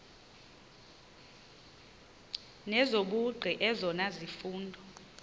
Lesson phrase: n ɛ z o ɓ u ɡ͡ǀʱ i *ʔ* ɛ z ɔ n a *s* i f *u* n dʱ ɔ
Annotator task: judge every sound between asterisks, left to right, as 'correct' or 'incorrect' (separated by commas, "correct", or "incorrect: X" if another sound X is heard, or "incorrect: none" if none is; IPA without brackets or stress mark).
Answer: correct, incorrect: z, incorrect: uː